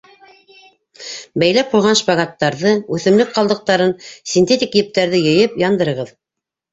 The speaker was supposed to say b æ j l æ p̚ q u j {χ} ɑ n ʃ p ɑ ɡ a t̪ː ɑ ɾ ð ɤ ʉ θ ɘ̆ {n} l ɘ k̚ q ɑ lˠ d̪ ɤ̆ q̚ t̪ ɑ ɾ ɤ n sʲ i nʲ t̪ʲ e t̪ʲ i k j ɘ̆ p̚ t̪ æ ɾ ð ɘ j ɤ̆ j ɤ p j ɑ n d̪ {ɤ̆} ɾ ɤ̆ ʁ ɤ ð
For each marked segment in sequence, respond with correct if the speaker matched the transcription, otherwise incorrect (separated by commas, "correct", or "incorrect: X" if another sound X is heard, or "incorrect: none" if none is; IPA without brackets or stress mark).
incorrect: ʁ, incorrect: m, correct